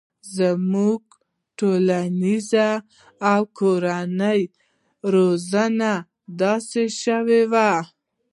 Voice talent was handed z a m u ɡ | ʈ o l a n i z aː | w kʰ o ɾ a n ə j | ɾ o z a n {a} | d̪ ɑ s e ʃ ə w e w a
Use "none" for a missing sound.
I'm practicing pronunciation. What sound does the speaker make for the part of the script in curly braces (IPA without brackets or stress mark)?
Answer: a